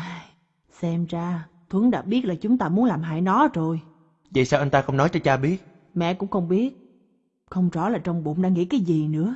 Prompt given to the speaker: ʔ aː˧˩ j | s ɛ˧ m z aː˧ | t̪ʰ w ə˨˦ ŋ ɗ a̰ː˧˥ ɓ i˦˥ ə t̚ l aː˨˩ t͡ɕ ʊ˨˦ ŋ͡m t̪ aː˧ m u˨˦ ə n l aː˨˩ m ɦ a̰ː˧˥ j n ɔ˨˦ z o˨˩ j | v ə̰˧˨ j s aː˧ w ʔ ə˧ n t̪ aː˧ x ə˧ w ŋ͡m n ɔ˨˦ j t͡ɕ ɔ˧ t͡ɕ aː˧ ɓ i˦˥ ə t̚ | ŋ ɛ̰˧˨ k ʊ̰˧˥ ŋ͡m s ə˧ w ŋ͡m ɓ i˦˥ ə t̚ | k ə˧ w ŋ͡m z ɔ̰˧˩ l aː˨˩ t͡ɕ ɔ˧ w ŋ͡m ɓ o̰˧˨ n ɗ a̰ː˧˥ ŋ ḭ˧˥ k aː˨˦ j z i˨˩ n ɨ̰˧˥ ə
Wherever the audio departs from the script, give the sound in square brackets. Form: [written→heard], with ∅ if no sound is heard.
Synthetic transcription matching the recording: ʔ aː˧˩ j | s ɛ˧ m z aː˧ | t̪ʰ w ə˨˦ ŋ ɗ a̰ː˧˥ ɓ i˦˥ ə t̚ l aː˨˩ t͡ɕ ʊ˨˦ ŋ͡m t̪ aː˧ m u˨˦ ə n l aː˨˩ m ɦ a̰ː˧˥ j n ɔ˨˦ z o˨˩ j | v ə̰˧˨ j s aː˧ w ʔ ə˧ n t̪ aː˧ x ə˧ w ŋ͡m n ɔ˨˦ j t͡ɕ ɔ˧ t͡ɕ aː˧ ɓ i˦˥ ə t̚ | [ŋ→m] ɛ̰˧˨ k ʊ̰˧˥ ŋ͡m [s→x] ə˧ w ŋ͡m ɓ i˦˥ ə t̚ | [k→x] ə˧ w ŋ͡m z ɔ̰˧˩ l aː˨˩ t͡ɕ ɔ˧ w ŋ͡m ɓ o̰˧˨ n ɗ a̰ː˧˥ ŋ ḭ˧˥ k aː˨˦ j z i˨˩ n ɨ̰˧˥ ə

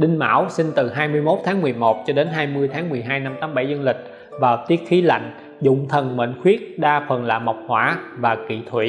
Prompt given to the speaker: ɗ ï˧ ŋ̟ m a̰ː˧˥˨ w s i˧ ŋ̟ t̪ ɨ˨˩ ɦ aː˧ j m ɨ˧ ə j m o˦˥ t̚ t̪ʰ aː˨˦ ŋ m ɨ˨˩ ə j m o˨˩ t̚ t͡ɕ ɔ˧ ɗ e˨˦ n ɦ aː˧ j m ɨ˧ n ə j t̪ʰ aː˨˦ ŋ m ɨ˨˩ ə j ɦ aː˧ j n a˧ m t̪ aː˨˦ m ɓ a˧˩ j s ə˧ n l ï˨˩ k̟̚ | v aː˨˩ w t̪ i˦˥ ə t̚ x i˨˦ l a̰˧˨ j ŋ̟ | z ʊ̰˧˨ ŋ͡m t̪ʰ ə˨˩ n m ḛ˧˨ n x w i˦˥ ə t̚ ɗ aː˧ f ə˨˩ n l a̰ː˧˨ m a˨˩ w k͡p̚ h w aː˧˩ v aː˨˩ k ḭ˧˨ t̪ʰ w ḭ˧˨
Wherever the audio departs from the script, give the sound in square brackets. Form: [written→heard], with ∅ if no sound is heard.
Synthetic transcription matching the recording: ɗ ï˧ ŋ̟ m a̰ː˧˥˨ w s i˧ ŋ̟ t̪ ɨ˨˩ ɦ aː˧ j m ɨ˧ ə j m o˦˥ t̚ t̪ʰ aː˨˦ ŋ m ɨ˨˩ ə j m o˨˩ t̚ t͡ɕ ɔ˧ ɗ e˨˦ n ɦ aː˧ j m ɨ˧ [n→∅] ə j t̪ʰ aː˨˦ ŋ m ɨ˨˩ ə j ɦ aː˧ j n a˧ m t̪ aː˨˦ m ɓ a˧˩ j [s→z] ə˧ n l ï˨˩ k̟̚ | v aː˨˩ w t̪ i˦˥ ə t̚ x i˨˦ l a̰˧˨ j ŋ̟ | z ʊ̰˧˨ ŋ͡m t̪ʰ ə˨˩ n m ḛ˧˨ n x w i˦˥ ə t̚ ɗ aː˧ f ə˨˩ n l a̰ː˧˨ m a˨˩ w k͡p̚ h w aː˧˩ v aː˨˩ k ḭ˧˨ t̪ʰ w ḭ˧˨

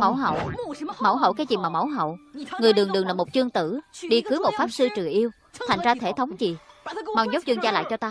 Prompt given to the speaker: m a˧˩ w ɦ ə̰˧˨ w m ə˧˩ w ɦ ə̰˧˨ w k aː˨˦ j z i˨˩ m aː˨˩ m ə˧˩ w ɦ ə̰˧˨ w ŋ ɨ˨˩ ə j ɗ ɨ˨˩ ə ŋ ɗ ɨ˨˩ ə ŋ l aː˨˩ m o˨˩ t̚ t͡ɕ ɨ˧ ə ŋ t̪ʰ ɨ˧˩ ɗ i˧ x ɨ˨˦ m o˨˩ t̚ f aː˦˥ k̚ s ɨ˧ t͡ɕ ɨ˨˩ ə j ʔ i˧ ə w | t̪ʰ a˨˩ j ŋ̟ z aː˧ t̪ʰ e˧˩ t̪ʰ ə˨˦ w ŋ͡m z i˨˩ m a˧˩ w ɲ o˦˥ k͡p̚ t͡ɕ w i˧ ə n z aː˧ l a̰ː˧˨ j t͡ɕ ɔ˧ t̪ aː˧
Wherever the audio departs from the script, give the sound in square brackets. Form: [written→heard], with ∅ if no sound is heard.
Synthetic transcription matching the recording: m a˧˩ w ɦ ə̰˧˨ w m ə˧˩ w ɦ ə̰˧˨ w k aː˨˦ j z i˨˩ m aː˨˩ m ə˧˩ w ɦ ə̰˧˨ w ŋ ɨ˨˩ ə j ɗ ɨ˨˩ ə ŋ ɗ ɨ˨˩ ə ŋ l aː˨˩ m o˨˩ t̚ t͡ɕ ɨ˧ ə ŋ [t̪ʰ→t̪] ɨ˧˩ ɗ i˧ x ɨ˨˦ m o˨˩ t̚ f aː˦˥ [k̚→p̚] s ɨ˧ t͡ɕ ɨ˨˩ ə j ʔ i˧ ə w | t̪ʰ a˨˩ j ŋ̟ z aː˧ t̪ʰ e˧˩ t̪ʰ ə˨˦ w ŋ͡m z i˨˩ m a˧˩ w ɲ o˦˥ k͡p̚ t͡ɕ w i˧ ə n z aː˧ l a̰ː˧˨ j t͡ɕ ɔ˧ t̪ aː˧

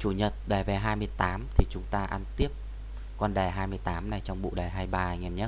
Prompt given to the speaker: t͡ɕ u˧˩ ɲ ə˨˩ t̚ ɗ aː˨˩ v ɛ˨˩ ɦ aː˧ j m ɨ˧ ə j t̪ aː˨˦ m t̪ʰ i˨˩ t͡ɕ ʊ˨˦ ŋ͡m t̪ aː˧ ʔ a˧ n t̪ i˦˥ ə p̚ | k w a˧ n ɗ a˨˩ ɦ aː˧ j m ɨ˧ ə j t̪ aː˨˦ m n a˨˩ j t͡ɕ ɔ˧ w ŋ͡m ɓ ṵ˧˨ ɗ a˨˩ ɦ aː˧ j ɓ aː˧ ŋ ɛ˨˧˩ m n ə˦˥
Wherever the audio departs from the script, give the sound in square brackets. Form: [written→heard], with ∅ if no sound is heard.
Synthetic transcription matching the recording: t͡ɕ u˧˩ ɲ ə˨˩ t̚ ɗ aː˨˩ v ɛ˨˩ ɦ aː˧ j m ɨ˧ ə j t̪ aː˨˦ m t̪ʰ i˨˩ t͡ɕ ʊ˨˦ ŋ͡m t̪ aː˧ ʔ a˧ n t̪ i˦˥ ə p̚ | k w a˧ n ɗ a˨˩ ɦ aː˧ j m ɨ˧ ə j t̪ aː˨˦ m n a˨˩ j t͡ɕ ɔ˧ w ŋ͡m ɓ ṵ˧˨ ɗ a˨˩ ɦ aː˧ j ɓ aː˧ ŋ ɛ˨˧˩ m [n→ɲ] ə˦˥

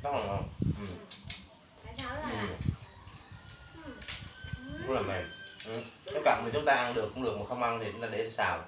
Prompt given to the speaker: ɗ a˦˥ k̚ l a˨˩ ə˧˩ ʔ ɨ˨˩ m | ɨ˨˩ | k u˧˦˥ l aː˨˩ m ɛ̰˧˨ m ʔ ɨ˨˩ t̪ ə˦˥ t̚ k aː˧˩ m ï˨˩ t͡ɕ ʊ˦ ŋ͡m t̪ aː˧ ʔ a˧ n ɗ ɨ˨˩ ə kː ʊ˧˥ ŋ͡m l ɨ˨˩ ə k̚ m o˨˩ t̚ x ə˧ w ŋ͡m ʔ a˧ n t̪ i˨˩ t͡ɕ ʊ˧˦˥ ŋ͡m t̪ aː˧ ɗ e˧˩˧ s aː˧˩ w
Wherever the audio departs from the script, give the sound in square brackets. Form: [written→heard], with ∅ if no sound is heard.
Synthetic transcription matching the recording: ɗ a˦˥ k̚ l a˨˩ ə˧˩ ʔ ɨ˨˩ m | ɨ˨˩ | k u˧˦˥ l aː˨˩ m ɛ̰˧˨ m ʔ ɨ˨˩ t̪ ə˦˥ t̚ k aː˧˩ m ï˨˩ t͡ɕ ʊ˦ ŋ͡m t̪ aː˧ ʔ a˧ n ɗ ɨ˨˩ ə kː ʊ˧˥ ŋ͡m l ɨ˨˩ ə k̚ m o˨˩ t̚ x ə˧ w ŋ͡m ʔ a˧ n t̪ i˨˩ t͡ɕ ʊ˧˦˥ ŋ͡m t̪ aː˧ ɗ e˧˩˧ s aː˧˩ w

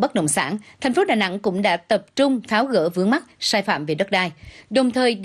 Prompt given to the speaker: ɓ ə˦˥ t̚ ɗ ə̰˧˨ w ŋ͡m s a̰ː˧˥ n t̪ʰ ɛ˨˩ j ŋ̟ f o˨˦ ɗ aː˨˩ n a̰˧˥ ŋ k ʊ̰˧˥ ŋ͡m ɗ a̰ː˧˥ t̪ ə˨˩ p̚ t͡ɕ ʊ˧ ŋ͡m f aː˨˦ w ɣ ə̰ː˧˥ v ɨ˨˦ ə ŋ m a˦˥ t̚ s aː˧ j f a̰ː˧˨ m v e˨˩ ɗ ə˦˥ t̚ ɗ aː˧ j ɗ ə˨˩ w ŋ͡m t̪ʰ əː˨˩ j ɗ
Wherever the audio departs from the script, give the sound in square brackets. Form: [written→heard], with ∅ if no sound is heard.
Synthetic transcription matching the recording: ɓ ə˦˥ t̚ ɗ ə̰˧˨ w ŋ͡m s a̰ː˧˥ n t̪ʰ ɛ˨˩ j ŋ̟ f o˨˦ ɗ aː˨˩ n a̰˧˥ ŋ k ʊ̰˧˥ ŋ͡m ɗ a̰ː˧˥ t̪ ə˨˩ p̚ t͡ɕ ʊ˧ ŋ͡m f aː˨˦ w ɣ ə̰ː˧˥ v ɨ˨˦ ə ŋ m a˦˥ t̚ s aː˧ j f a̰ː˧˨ m v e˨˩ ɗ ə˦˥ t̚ ɗ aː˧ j ɗ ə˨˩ w ŋ͡m t̪ʰ əː˨˩ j ɗ

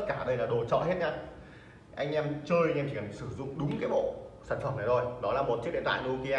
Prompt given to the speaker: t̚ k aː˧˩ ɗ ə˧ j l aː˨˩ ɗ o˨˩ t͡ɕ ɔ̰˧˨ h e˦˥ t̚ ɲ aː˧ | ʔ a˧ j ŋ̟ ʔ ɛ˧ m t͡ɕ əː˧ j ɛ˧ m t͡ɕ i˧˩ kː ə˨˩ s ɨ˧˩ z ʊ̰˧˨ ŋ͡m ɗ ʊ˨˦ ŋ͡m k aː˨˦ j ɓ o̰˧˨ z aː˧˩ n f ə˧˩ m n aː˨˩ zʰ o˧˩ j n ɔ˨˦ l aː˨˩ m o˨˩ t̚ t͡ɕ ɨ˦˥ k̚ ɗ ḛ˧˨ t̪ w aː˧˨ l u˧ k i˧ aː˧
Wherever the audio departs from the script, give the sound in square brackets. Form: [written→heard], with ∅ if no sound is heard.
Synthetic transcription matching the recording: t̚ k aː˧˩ ɗ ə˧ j l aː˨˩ ɗ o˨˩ t͡ɕ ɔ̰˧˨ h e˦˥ t̚ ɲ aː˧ | ʔ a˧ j ŋ̟ ʔ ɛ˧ m t͡ɕ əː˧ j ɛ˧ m t͡ɕ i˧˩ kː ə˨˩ s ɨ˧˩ z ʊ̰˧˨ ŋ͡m ɗ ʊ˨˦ ŋ͡m k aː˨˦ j ɓ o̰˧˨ [z→s] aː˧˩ n f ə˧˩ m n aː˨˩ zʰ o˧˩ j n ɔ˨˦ l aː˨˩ m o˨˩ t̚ t͡ɕ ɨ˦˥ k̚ ɗ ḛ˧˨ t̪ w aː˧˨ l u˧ k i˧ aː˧

